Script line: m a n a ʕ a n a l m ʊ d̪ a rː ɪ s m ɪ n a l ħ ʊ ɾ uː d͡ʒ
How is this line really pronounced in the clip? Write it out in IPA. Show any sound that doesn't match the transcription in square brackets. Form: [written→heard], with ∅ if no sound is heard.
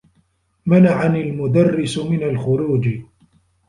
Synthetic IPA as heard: m a n a ʕ a n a l m ʊ d̪ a rː ɪ s m ɪ n a l [ħ→x] ʊ ɾ uː d͡ʒ